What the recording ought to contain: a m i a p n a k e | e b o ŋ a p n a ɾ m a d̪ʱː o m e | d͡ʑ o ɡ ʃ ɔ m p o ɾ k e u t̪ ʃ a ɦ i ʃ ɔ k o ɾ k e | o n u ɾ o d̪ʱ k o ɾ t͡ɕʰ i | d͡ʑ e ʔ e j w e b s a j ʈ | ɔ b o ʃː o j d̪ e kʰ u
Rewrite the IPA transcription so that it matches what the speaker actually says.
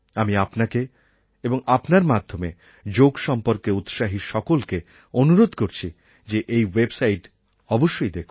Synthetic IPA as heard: a m i a p n a k e | e b o ŋ a p n a ɾ m a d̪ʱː o m e | d͡ʑ o ɡ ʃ ɔ m p o ɾ k e u t̪ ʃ a ɦ i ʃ ɔ k o l k e | o n u ɾ o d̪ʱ k o ɾ t͡ɕʰ i | d͡ʑ e ʔ e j w e b s a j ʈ | ɔ b o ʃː o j d̪ e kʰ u